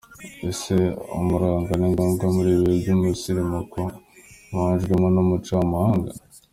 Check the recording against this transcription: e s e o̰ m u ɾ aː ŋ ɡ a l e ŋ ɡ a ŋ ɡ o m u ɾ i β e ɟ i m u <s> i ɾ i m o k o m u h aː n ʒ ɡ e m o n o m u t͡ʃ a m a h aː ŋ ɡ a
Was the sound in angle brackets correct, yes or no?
yes